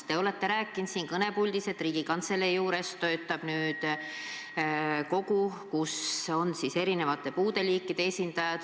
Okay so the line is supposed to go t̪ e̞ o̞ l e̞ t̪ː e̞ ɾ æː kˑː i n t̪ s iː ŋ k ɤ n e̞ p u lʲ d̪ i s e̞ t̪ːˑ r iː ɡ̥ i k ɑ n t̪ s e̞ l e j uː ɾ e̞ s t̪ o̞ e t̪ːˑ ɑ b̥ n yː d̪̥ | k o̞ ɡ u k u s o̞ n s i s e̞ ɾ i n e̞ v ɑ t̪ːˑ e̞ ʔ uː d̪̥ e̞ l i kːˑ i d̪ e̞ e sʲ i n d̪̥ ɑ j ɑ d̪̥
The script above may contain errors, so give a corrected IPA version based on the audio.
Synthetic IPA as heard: t̪ e̞ o̞ l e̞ t̪ː e̞ ɾ æː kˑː i n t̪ s iː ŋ k ɤ n e̞ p u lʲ d̪ i s e̞ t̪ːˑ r iː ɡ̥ i k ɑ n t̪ s e̞ l e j uː ɾ e̞ s t̪ o̞ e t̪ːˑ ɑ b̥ n yː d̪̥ | k o̞ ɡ u k u s o̞ n s i s e̞ ɾ i n e̞ v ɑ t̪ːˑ e̞ p uː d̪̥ e̞ l iː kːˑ i d̪ e̞ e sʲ i n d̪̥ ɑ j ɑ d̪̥